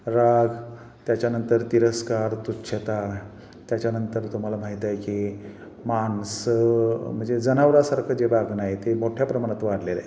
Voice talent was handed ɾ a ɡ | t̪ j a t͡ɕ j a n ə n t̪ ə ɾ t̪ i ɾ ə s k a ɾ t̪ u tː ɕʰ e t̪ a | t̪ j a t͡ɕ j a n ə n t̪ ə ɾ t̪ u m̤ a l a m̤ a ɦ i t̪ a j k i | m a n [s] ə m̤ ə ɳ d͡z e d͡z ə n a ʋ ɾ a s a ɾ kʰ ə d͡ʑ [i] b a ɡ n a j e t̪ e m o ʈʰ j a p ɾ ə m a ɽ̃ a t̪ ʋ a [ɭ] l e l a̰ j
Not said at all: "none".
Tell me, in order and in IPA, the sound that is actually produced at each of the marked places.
s, e, ɽ

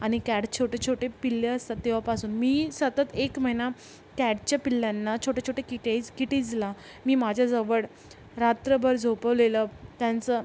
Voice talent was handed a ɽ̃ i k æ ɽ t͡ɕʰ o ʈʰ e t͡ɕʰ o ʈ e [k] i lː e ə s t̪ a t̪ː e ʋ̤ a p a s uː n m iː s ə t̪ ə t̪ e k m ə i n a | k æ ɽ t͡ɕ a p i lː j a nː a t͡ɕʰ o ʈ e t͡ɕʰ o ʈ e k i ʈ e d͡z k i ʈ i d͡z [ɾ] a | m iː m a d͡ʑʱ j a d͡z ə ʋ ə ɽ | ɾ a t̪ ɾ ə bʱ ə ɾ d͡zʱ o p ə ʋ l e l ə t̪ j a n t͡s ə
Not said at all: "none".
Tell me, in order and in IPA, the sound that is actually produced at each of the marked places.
p, l

